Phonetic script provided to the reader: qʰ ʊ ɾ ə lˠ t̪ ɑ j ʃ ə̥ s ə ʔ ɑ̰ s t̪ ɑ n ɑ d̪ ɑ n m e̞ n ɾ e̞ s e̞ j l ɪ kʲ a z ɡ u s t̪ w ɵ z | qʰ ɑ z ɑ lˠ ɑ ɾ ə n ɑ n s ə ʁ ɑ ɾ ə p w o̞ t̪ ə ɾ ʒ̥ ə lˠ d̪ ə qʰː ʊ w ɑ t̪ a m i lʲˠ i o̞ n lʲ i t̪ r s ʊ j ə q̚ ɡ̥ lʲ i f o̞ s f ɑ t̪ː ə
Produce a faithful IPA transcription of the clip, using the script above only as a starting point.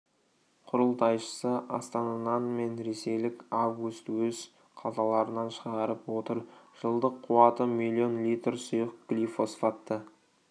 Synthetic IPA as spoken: qʰ ʊ ɾ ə lˠ t̪ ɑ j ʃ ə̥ s ə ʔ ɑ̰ s t̪ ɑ n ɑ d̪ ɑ n m e̞ n ɾ e̞ s e̞ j l ɪ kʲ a v ɡ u s t̪ w ɵ z | qʰ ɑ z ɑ lˠ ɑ ɾ ə n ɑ n ʃ ə ʁ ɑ ɾ ə p w o̞ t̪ ə ɾ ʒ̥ ə lˠ d̪ ə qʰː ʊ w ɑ t̪ ə m i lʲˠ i o̞ n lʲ i t̪ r s ʊ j ə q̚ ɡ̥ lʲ i f o̞ s f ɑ t̪ː ə